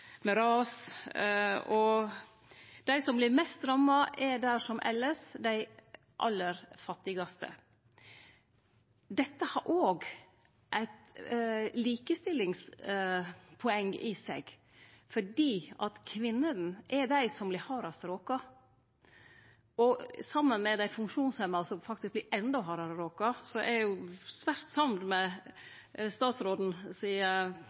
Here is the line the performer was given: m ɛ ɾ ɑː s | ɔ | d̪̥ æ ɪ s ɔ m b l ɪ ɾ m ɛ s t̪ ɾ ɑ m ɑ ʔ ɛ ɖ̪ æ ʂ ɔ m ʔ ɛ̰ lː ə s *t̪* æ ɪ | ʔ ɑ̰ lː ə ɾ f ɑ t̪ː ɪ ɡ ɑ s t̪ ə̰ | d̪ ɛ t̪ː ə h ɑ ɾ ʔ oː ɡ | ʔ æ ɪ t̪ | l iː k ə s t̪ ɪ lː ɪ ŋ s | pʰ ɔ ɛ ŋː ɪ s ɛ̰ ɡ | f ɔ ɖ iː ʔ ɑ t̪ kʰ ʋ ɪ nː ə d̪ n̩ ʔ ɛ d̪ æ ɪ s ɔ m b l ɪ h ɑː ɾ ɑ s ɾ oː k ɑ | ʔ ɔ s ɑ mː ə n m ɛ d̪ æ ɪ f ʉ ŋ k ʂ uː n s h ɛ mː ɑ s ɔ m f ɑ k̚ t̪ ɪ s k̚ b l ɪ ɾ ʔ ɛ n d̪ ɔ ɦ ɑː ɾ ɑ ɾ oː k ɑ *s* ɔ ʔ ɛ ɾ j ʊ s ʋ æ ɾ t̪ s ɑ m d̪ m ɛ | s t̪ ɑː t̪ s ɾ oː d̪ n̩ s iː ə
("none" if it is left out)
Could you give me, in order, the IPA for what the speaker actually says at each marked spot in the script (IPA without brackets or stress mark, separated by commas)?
d̪, s